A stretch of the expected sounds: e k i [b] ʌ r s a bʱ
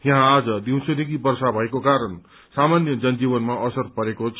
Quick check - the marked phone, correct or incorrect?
correct